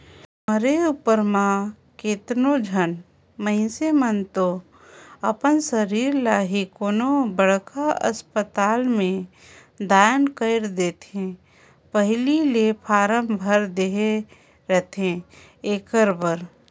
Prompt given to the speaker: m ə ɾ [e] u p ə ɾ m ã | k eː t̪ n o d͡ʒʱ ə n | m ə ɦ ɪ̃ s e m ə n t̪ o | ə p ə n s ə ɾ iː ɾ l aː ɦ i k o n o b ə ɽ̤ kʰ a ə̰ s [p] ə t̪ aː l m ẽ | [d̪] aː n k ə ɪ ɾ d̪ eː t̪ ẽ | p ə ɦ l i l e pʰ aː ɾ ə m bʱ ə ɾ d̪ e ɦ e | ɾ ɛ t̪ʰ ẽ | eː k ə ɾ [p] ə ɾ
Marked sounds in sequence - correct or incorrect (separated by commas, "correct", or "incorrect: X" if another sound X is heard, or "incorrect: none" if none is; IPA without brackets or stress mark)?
correct, correct, correct, incorrect: b